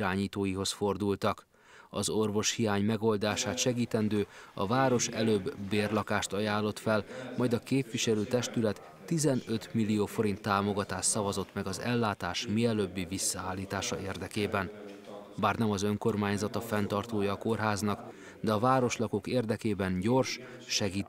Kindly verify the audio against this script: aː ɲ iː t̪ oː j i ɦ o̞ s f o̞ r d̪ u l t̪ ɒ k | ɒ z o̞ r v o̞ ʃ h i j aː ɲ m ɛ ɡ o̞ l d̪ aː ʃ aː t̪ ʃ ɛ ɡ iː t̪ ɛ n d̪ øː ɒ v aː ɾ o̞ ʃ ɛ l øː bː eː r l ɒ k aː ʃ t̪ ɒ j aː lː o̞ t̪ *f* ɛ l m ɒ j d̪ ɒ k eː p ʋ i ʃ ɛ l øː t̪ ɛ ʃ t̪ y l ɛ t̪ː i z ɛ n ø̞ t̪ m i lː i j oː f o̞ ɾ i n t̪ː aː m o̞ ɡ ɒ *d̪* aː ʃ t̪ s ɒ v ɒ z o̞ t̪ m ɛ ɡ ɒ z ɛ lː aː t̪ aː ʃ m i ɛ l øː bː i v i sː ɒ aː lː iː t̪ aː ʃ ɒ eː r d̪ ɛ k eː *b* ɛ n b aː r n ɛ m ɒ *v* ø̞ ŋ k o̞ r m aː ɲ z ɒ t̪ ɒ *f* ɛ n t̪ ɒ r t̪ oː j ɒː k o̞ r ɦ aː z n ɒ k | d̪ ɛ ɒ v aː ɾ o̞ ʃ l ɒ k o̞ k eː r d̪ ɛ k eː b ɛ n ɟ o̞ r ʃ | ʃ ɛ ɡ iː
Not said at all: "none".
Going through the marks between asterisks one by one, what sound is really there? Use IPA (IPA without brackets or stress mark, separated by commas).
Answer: f, t̪, b, z, f